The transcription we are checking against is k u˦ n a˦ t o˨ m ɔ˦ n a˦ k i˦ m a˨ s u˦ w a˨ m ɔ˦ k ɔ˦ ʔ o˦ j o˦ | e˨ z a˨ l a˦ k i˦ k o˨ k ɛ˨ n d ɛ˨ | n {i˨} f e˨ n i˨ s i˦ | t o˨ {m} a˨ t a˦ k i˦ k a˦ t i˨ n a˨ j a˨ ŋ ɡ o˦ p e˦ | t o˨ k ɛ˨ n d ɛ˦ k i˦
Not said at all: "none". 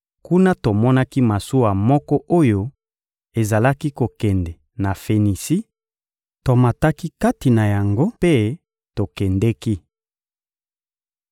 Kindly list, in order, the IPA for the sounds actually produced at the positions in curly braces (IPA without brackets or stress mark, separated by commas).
a˨, m